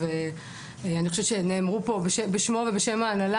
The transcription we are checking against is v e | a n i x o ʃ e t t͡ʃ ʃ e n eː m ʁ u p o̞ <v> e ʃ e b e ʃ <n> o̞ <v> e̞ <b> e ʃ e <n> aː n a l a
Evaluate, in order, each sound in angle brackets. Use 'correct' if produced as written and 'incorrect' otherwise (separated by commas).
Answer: incorrect, incorrect, correct, correct, incorrect